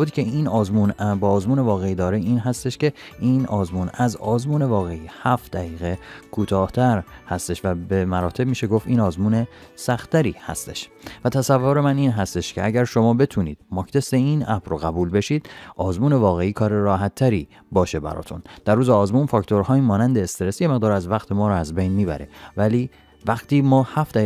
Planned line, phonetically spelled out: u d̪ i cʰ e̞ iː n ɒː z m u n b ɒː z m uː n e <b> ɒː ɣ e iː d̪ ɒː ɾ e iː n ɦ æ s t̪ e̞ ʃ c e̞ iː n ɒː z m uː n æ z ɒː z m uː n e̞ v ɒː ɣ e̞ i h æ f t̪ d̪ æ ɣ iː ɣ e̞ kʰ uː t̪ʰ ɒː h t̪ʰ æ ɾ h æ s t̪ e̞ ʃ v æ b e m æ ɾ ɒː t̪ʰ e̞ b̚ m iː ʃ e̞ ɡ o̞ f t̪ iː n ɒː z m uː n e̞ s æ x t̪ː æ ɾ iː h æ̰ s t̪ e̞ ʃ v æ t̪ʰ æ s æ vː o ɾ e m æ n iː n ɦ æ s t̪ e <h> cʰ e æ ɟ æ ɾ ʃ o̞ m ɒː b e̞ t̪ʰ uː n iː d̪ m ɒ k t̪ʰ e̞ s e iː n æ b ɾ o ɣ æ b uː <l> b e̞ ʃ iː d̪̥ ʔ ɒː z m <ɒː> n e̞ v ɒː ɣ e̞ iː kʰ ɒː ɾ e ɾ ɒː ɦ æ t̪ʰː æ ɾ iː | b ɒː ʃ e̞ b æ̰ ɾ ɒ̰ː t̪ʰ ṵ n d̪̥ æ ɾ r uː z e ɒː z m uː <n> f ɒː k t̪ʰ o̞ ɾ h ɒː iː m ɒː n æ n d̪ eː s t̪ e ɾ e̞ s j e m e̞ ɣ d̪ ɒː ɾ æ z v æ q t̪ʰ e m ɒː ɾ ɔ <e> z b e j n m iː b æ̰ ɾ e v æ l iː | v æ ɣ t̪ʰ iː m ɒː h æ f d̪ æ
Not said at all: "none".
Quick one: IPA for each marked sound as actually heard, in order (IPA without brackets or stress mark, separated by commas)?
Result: v, ʃ, l, uː, n, æ